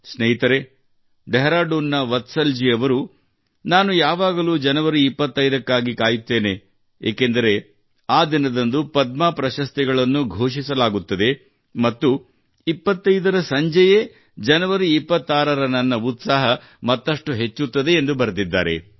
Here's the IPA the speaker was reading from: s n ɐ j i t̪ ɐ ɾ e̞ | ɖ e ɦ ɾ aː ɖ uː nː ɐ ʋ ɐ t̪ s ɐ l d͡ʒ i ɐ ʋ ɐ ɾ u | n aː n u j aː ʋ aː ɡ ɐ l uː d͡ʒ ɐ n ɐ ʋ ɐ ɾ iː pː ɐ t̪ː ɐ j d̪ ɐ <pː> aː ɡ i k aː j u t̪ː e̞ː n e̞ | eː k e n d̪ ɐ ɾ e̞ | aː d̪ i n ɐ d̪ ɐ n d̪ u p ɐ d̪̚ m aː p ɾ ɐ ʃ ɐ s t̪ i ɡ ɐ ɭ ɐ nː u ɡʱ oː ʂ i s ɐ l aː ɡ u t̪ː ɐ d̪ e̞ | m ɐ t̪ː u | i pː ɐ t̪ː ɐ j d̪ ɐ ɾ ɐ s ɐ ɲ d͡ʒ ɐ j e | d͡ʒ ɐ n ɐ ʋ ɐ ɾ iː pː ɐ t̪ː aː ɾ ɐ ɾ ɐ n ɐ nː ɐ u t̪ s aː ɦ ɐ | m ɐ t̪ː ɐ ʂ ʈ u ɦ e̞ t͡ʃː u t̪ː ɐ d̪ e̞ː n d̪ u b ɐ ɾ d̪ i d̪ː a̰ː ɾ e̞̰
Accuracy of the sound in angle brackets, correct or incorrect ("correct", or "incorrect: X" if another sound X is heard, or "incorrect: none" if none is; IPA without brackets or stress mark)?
incorrect: kː